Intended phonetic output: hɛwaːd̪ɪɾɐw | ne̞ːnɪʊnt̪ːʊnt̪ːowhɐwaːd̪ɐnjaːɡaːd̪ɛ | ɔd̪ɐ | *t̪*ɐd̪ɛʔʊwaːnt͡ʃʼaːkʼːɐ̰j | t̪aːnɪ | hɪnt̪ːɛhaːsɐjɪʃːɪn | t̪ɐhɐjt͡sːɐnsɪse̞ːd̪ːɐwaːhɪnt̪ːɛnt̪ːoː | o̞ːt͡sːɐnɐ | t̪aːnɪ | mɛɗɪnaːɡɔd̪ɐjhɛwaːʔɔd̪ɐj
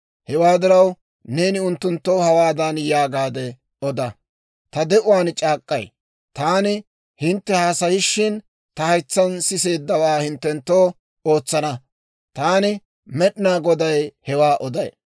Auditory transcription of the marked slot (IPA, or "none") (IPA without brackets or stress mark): t̪